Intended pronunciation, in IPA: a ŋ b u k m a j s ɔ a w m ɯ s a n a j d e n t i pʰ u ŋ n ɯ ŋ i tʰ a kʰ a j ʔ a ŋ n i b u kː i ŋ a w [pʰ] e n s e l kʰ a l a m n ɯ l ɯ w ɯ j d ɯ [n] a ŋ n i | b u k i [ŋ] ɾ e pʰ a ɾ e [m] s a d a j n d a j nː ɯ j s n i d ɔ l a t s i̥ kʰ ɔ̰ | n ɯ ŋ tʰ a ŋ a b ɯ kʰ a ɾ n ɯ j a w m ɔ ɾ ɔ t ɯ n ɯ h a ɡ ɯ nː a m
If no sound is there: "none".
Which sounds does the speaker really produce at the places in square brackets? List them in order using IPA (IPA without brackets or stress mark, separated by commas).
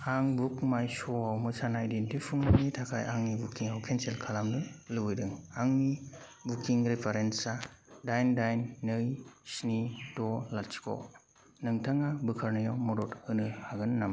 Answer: kʰ, ŋ, ŋ, n